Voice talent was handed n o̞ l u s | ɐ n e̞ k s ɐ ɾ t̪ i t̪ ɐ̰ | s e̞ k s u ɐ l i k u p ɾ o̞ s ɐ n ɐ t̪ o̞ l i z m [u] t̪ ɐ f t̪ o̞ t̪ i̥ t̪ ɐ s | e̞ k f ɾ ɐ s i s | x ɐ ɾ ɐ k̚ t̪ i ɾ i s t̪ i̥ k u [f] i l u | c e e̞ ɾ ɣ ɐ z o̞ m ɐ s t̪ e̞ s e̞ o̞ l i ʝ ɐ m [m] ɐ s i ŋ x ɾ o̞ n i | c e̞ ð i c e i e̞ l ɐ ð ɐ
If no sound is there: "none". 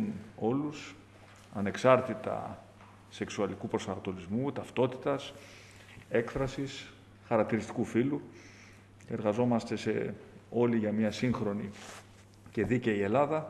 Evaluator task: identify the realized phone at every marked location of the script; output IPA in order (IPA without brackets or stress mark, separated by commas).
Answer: u, f, ɲ